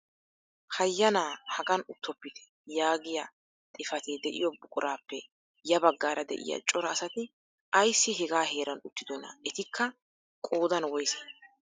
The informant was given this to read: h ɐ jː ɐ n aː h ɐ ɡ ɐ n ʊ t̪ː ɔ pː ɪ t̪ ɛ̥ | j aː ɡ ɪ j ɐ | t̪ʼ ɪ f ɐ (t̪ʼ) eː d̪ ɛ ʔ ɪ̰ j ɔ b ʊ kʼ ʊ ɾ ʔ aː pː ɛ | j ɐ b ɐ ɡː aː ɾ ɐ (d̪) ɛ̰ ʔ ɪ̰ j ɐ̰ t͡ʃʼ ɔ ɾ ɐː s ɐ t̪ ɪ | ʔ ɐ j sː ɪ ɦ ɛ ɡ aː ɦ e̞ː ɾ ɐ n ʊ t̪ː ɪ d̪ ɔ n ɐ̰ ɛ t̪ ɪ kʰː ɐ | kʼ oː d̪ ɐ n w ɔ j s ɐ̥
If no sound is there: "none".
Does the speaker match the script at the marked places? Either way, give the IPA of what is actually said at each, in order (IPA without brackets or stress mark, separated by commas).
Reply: t̪, d̪